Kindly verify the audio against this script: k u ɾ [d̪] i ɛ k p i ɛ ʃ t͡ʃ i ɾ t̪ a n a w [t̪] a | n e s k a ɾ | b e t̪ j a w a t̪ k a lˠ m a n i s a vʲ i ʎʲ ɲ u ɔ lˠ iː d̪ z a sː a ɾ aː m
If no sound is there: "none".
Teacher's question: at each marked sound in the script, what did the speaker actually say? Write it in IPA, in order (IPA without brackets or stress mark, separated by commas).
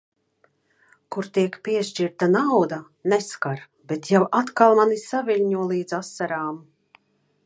t̪, d̪